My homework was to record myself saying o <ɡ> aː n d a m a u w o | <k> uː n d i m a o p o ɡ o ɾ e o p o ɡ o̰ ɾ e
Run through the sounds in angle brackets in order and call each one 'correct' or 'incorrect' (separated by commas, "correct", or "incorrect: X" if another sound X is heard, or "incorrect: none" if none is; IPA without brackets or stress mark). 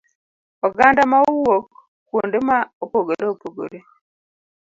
correct, correct